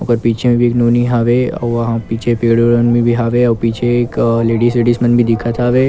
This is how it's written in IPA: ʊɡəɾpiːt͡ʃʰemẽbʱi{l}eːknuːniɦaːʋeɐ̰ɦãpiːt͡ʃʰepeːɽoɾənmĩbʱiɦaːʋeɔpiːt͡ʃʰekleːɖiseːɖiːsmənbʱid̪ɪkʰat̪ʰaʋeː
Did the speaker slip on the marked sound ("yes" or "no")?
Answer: yes